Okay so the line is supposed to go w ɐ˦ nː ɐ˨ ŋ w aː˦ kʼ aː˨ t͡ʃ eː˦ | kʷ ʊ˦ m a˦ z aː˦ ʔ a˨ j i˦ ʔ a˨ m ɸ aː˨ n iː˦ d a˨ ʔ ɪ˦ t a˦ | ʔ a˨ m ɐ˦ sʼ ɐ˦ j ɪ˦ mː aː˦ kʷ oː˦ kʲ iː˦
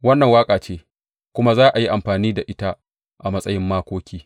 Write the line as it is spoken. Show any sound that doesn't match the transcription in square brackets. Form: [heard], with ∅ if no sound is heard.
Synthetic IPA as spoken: w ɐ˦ nː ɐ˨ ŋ w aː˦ kʼ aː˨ t͡ʃ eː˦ | kʷ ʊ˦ m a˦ z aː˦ ʔ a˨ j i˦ ʔ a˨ m ɸ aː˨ n iː˦ d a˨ ʔ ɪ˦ t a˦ | ʔ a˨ m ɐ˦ sʼ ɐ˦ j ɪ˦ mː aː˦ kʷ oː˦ kʲ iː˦